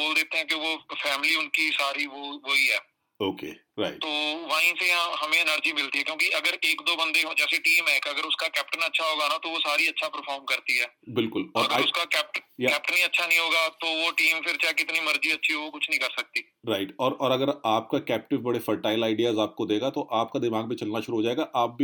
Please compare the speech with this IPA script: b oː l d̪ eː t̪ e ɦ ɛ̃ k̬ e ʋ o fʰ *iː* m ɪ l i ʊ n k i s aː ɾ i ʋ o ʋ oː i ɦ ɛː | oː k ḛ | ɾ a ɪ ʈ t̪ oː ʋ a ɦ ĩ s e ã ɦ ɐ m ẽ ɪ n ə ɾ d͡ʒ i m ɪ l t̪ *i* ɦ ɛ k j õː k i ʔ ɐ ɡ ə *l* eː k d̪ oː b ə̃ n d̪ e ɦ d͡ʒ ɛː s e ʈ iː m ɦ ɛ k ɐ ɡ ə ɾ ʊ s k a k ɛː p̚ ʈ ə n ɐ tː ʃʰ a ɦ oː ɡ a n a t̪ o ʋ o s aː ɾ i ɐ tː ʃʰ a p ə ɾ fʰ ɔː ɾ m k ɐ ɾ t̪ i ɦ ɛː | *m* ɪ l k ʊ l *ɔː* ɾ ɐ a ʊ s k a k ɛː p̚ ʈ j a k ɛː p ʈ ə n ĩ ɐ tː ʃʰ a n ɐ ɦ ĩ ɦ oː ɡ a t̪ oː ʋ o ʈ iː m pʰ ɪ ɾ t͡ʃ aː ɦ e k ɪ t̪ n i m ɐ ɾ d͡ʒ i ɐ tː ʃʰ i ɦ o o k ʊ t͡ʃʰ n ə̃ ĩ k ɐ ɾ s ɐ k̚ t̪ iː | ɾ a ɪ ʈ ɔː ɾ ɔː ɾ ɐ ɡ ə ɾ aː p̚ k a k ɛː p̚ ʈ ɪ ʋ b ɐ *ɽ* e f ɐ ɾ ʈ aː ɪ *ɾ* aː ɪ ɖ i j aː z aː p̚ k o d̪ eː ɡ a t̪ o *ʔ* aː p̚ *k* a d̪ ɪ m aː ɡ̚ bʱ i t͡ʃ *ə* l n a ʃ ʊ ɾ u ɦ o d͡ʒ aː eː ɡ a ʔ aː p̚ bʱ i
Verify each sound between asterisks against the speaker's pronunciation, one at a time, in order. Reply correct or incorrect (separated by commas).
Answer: incorrect, correct, incorrect, incorrect, correct, correct, incorrect, correct, correct, incorrect